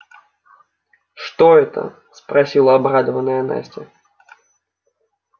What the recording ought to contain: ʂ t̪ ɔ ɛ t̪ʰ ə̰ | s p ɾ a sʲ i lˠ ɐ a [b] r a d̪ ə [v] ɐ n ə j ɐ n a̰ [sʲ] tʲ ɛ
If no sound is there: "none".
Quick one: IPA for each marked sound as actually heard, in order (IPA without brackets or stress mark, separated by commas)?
b, v, sʲ